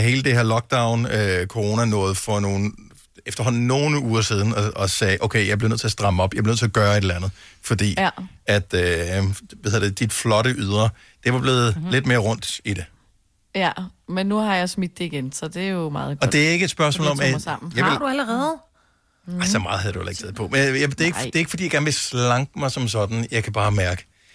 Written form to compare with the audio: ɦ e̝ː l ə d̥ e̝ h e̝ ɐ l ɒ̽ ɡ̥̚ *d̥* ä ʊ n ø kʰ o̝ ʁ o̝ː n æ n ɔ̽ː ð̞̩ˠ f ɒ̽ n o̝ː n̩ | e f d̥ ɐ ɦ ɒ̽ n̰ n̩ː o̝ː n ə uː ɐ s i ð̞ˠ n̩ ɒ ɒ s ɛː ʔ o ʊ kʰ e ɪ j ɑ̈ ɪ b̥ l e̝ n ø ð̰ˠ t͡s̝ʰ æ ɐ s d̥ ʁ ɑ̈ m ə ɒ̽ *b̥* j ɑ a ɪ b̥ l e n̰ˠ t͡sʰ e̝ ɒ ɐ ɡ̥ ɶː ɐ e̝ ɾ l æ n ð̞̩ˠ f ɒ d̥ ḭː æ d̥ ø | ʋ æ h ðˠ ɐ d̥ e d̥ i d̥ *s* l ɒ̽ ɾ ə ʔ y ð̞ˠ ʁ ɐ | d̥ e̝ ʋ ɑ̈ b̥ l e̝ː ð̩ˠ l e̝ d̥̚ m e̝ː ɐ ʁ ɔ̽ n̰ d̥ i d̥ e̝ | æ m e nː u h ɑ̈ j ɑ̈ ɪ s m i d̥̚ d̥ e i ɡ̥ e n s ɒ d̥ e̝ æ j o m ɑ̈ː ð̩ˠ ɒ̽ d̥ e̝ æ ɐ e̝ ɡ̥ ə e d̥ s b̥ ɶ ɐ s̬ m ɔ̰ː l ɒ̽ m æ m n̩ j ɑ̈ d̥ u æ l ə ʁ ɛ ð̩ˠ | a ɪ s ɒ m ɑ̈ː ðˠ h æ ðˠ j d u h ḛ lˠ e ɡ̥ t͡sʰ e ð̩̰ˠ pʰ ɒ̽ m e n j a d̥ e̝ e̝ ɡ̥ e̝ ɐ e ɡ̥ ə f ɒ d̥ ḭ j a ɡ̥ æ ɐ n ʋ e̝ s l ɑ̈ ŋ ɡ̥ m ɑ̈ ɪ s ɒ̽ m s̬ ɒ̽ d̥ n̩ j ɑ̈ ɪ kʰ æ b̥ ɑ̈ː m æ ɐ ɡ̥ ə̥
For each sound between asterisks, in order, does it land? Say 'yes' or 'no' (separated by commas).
yes, yes, no